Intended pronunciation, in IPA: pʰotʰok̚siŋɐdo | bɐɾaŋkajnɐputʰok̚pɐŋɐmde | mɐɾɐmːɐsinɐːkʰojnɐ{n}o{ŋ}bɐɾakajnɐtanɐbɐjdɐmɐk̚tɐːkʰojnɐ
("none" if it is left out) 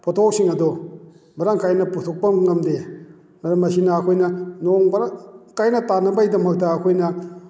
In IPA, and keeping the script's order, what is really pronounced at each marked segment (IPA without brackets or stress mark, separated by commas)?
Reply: n, ŋ